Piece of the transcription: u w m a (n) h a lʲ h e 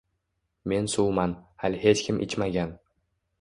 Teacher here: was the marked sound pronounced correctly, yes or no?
yes